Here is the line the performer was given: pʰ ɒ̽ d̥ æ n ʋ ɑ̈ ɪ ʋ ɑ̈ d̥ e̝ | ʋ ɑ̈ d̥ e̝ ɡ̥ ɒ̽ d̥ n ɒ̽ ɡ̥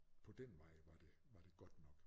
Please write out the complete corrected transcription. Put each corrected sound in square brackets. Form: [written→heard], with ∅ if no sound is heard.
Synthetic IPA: pʰ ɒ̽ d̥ [æ→e] n ʋ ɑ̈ ɪ ʋ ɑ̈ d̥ e̝ | ʋ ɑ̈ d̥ e̝ ɡ̥ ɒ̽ d̥ n ɒ̽ ɡ̥